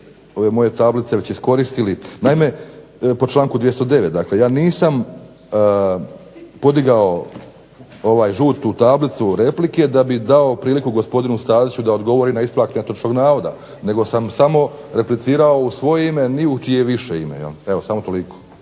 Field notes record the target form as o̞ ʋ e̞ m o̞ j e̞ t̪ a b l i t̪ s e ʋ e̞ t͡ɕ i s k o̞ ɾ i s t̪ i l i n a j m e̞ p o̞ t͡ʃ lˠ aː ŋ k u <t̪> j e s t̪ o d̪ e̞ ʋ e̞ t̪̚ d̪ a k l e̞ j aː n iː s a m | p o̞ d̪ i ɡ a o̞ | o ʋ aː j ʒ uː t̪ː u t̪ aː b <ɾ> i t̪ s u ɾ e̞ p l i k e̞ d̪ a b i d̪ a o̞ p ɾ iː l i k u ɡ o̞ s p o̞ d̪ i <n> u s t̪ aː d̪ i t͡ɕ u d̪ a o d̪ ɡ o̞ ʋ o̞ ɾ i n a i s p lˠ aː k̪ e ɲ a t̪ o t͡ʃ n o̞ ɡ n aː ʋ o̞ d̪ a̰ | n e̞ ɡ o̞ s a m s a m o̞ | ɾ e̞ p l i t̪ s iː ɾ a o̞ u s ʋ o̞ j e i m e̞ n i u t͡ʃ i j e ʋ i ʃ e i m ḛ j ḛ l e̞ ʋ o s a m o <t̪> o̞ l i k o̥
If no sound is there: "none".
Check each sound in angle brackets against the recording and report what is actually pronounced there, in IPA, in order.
d̪, l, n, t̪

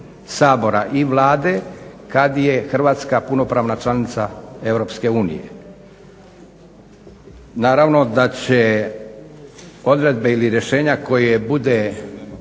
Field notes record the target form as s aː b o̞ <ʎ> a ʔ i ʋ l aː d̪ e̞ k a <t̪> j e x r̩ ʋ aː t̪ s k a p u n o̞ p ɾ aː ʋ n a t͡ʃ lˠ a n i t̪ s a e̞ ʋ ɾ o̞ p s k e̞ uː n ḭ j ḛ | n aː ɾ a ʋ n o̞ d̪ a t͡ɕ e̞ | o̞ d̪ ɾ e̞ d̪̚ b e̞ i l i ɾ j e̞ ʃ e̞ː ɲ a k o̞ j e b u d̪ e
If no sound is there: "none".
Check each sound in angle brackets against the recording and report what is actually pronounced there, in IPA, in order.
ɾ, d̪

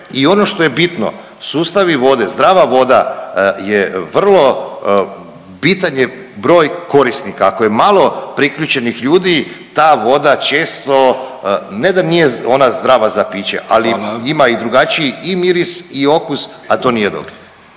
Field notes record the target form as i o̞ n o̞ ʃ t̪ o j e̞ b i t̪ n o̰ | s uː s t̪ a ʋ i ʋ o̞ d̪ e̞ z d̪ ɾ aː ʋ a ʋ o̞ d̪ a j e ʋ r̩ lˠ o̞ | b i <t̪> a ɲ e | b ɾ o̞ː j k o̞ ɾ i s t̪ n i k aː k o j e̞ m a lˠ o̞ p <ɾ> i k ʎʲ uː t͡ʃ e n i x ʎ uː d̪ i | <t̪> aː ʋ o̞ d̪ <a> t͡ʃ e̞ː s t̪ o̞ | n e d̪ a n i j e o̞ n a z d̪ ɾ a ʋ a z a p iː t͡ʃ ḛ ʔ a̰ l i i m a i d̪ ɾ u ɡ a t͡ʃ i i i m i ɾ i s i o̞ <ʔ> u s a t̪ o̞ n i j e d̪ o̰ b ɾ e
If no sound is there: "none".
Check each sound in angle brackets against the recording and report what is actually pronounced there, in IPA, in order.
t̪, ɾ, t̪, a, k

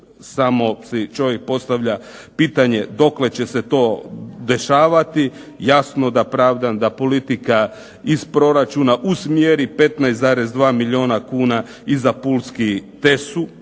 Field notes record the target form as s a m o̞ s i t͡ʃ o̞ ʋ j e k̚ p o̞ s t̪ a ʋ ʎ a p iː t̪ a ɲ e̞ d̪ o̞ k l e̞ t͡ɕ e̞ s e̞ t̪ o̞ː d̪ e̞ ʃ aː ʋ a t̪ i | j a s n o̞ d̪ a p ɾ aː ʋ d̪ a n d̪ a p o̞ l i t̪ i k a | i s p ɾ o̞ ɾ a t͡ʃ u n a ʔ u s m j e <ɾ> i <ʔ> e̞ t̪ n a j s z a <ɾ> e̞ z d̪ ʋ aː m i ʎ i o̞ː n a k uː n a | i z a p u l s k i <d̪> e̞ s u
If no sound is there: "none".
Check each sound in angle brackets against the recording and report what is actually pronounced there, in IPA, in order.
ɾ, p, ɾ, t̪

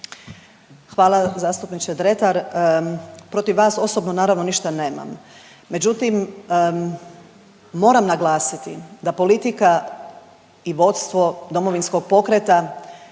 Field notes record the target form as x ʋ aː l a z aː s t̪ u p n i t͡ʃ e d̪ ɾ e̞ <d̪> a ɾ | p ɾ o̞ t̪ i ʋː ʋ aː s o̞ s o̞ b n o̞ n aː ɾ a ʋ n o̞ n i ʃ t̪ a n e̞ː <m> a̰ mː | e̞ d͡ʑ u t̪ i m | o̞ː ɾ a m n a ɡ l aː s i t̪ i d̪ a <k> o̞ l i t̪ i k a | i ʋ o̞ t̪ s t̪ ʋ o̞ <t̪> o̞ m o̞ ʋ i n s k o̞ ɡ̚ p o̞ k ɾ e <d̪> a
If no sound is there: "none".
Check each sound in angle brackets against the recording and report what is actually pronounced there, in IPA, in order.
t̪, m, p, d̪, t̪

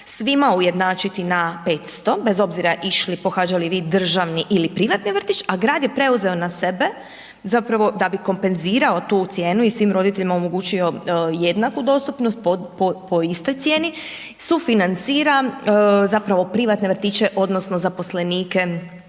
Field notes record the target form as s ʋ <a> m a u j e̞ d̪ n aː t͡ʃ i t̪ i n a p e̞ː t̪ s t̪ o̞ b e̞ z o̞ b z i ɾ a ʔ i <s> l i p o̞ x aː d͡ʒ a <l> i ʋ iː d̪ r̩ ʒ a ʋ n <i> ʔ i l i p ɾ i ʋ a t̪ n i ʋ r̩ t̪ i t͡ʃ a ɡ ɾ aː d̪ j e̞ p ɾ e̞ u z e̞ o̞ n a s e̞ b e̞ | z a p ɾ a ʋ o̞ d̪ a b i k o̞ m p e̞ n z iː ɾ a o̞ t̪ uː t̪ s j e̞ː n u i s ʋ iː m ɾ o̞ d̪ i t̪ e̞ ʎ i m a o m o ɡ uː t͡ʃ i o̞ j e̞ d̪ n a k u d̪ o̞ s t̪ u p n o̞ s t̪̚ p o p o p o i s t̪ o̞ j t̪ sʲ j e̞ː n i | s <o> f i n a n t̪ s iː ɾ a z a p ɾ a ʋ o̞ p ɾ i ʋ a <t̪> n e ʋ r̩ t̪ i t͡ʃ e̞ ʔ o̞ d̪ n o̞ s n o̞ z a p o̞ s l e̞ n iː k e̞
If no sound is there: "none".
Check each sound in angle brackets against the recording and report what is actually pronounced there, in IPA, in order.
i, ʃ, l, i, u, t̪

